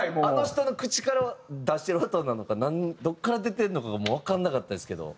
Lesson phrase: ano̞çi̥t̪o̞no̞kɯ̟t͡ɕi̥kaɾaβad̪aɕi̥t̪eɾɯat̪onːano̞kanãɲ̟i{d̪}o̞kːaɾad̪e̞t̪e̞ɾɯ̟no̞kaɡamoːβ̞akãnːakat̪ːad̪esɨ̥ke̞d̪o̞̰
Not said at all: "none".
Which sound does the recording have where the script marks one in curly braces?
d̪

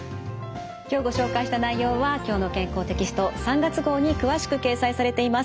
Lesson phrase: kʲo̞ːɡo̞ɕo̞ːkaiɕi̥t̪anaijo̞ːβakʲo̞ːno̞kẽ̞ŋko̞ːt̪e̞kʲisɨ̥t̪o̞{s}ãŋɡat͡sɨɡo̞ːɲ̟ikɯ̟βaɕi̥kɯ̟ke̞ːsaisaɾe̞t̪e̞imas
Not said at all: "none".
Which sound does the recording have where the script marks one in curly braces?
s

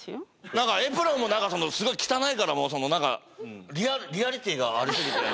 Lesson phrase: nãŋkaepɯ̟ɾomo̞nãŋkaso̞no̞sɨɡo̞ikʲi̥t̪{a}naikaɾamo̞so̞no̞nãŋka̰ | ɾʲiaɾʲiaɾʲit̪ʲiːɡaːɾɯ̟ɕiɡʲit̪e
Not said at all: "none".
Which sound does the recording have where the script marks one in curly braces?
a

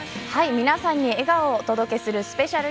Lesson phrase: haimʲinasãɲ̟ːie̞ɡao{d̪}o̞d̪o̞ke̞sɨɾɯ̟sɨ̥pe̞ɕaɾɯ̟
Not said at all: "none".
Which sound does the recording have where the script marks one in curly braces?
t̪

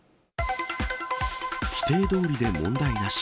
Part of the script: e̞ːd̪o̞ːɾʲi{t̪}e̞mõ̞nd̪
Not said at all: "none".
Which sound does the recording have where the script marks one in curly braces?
d̪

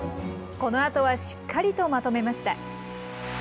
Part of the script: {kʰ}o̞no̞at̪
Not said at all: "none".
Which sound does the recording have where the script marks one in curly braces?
k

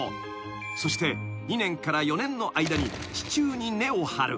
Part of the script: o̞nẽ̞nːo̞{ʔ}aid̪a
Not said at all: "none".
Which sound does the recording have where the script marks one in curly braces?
ʔ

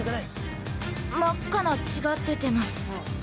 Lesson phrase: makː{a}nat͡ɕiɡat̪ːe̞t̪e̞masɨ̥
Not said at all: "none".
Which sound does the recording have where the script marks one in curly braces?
a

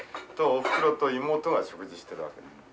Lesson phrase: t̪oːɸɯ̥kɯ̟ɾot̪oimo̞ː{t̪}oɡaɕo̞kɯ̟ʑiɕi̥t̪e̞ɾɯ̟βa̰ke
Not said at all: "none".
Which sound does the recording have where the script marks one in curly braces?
t̪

